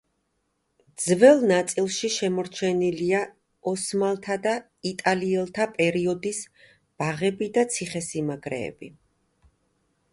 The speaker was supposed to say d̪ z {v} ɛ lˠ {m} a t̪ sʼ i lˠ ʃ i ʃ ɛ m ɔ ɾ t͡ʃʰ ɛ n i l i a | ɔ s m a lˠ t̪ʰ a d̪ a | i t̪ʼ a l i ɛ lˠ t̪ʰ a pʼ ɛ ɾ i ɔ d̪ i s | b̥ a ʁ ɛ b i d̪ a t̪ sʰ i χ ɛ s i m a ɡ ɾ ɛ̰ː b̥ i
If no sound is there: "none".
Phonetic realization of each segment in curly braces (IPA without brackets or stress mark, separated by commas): v, n